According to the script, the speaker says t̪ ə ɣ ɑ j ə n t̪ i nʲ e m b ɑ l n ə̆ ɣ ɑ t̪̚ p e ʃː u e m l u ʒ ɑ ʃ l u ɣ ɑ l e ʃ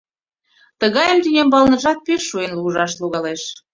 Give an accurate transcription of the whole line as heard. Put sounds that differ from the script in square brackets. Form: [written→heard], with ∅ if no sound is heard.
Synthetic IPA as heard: t̪ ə ɣ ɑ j ə [n→m] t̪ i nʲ e m b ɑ l n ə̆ [ɣ→ʒ] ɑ t̪̚ p e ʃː u e [m→n] l u ʒ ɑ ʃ l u ɣ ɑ l e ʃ